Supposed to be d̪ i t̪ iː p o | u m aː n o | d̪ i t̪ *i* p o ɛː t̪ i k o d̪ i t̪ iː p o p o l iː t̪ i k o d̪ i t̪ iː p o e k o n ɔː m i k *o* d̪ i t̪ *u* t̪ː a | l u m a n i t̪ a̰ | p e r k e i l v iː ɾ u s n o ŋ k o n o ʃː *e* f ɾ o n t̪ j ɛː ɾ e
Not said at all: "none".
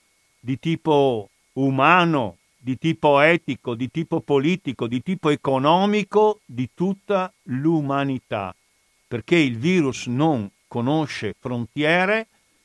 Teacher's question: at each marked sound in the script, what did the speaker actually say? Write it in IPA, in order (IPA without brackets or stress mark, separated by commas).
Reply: iː, o, u, e